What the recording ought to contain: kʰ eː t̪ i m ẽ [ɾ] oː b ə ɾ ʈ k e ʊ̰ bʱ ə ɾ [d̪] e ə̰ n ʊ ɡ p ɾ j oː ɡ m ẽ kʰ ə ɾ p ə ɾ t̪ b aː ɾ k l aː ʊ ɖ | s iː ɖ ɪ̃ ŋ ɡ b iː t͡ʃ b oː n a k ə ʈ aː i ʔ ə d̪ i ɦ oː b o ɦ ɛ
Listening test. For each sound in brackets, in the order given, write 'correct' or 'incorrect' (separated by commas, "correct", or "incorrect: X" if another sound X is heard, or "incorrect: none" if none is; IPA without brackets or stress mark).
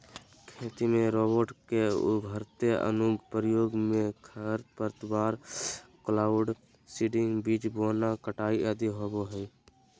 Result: correct, incorrect: t̪